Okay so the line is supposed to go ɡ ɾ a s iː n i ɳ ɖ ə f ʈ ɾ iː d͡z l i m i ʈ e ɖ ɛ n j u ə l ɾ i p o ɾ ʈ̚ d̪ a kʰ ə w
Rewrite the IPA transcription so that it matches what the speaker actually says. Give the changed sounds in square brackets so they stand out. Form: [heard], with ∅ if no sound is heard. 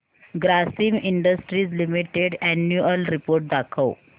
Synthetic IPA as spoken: ɡ ɾ a s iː [m] i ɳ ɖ ə [s] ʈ ɾ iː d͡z l i m i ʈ e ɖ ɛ n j u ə l ɾ i p o ɾ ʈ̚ d̪ a kʰ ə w